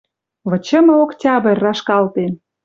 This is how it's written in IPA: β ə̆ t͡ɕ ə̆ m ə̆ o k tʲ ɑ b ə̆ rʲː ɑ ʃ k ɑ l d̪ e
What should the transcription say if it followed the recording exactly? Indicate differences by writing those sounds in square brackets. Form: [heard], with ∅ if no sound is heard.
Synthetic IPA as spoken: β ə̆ t͡ɕ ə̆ m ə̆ o k tʲ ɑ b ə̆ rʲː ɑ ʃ k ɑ l [t̪] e

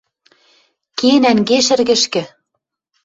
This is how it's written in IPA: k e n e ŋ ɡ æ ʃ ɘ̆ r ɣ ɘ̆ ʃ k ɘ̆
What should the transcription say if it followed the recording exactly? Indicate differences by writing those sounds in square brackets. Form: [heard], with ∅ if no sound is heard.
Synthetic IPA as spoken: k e n [æ] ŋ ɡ [e] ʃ ɘ̆ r ɣ ɘ̆ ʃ k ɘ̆

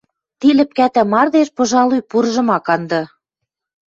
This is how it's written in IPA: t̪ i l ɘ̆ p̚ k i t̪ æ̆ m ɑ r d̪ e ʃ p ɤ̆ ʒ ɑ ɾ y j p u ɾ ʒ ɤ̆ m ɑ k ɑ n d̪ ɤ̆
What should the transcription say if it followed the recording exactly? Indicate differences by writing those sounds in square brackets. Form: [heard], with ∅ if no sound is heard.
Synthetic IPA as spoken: t̪ i l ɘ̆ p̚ k [æ] t̪ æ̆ m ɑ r d̪ e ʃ p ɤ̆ ʒ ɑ [l] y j p u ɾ ʒ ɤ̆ m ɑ k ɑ n d̪ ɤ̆

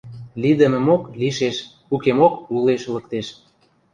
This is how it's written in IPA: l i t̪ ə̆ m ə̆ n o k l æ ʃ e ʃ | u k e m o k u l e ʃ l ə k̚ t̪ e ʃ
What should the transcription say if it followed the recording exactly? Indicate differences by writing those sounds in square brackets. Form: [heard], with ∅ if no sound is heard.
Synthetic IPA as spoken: l i [d̪] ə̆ m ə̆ [m] o k l [i] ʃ e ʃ | u k e m o k u l e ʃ l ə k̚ t̪ e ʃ

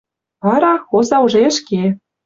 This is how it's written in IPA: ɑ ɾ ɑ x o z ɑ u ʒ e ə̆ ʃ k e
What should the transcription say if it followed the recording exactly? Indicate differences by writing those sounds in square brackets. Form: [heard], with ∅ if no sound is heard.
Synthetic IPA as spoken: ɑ ɾ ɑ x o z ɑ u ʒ e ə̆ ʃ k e

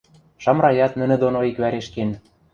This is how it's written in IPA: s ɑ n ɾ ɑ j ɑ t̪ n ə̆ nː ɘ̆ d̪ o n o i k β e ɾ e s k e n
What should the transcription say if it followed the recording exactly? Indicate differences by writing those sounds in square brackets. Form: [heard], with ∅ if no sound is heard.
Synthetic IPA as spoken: [ʃ] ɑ [m] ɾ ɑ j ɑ t̪ n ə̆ [n] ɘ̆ d̪ o n o i k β [æ] ɾ e [ʃ] k e n

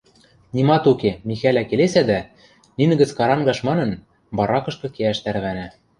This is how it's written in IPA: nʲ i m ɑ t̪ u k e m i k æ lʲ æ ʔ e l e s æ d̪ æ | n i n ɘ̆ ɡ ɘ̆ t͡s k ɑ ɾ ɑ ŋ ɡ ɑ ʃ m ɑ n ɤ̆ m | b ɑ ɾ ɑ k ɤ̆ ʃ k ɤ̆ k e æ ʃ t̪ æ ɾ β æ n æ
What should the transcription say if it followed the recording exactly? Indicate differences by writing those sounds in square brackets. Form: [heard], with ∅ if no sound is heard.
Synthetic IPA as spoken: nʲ i m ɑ t̪ u k e m i [x] æ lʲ æ [k] e l e s æ d̪ æ | n i n ɘ̆ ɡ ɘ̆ t͡s k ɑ ɾ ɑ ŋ ɡ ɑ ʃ m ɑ n ɤ̆ [n] | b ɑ ɾ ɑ k ɤ̆ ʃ k ɤ̆ k e æ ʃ t̪ æ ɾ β æ n æ

